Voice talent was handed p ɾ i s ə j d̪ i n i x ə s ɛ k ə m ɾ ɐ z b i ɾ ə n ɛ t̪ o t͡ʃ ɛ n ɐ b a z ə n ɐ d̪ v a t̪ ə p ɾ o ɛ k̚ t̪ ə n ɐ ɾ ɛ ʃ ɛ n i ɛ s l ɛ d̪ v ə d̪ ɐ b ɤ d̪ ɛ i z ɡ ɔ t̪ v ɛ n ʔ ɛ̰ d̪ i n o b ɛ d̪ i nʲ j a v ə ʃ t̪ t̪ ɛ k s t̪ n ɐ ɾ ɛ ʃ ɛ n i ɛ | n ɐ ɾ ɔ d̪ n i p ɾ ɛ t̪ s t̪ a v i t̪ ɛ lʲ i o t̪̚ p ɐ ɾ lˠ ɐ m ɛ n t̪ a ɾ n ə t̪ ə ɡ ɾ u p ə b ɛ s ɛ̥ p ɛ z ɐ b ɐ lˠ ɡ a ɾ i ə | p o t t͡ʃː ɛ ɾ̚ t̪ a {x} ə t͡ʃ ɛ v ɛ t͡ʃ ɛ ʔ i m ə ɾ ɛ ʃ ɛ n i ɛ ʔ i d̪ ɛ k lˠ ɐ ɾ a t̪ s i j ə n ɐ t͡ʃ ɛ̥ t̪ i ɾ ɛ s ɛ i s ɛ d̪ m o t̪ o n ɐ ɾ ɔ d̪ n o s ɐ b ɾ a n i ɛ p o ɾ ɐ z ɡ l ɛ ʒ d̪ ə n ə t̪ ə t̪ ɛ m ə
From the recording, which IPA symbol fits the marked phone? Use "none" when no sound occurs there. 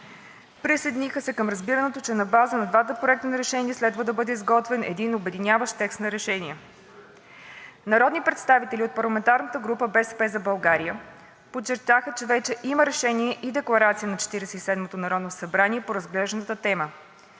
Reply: x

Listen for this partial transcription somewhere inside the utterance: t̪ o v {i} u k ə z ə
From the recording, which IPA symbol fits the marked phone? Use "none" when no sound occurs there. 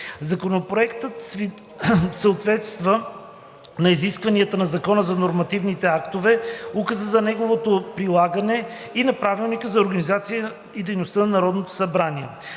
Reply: ɛ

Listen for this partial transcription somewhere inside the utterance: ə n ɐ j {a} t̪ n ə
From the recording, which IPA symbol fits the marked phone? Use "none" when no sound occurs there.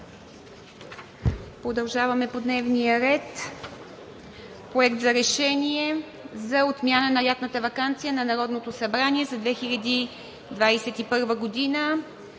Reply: a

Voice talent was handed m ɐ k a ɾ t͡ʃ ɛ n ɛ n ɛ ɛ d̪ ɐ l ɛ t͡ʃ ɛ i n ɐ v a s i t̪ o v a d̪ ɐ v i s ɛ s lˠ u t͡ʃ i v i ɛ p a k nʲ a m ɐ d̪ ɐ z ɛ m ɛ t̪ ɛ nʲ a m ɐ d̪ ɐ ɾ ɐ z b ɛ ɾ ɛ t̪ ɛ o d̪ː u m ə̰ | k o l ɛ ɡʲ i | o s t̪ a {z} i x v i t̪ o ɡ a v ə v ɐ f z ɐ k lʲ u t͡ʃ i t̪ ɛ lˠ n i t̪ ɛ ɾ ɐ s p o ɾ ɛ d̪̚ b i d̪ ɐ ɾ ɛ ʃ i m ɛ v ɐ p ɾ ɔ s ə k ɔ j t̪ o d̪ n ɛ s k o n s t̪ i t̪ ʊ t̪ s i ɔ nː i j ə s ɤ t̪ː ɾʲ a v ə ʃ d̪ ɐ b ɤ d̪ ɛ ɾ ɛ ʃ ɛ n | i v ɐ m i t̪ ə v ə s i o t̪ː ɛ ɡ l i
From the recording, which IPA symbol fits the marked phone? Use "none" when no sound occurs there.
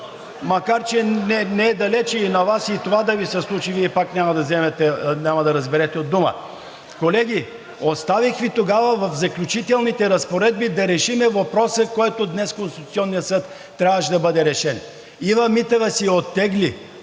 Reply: v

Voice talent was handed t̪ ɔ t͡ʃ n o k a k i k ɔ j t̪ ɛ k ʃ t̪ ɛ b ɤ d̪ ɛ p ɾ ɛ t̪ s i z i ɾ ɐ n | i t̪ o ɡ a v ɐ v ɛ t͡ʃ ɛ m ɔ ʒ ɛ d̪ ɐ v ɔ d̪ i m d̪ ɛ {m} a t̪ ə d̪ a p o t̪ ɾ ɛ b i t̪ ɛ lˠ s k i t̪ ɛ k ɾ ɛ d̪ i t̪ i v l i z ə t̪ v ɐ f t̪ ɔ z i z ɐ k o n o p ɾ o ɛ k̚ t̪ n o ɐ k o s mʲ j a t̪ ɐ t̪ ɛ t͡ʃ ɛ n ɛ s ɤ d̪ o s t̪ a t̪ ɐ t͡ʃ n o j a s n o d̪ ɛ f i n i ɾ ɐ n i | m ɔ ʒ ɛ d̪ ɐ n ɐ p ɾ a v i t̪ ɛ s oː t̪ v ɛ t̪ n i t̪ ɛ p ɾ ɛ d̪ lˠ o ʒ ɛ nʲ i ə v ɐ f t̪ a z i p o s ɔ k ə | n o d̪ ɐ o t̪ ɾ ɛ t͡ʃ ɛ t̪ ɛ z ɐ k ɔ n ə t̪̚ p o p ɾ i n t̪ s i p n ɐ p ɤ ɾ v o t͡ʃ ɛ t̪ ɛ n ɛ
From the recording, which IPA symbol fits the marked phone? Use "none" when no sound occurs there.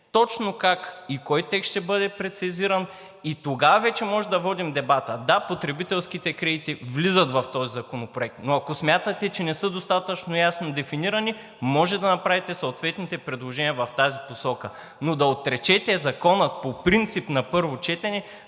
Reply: b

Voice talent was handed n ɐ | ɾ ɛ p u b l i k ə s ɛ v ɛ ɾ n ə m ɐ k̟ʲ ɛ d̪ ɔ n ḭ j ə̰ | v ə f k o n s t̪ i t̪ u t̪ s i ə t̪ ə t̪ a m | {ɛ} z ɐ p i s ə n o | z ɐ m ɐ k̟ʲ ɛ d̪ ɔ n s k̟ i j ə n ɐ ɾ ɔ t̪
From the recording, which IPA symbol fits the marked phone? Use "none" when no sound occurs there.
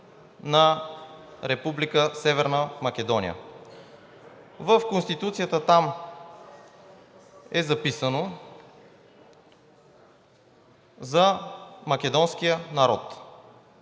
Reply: ɛ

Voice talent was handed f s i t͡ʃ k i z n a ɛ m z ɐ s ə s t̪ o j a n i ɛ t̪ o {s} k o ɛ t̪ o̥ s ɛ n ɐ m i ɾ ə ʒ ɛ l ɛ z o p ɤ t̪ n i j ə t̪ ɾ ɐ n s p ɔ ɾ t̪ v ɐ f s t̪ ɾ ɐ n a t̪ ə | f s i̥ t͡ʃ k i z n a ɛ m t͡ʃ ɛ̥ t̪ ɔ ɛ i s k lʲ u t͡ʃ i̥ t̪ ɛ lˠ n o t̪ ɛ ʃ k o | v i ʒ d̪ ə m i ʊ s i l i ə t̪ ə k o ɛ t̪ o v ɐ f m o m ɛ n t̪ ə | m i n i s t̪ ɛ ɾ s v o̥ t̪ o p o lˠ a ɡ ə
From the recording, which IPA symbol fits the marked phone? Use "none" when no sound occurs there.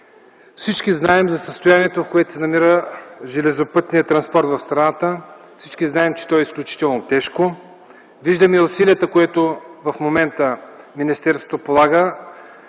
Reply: f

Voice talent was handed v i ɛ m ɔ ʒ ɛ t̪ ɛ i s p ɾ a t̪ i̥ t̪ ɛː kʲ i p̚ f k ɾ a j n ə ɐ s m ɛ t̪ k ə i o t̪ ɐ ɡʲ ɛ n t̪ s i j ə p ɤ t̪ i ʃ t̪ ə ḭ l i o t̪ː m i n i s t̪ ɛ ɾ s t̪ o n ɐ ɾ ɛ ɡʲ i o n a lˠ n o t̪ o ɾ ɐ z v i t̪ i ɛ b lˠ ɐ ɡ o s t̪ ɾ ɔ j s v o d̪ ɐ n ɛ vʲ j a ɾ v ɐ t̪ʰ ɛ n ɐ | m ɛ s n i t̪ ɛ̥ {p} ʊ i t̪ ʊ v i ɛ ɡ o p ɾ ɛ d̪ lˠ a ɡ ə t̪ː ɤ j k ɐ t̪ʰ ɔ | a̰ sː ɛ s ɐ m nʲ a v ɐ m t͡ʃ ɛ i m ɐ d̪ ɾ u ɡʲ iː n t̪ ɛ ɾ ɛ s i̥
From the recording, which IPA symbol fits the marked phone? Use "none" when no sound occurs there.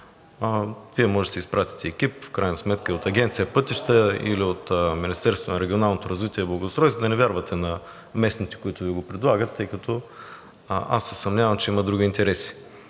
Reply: k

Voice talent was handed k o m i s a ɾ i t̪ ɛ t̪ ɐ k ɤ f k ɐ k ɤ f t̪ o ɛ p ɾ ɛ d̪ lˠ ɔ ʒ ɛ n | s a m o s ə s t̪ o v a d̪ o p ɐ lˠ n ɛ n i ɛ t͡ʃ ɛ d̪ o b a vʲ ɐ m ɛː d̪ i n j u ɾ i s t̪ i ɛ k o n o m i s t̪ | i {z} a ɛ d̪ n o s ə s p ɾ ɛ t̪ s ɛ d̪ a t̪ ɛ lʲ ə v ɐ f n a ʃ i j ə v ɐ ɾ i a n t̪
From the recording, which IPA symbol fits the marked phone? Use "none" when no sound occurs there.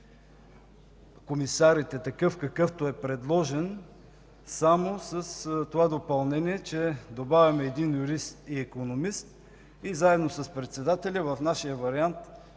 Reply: z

